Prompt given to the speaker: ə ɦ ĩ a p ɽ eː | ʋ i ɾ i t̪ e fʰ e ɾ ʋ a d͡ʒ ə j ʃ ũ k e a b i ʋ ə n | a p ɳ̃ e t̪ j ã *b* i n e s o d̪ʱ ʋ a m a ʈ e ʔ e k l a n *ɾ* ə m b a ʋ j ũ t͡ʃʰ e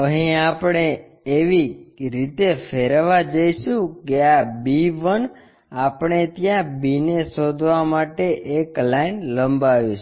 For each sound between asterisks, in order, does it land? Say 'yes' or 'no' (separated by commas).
yes, no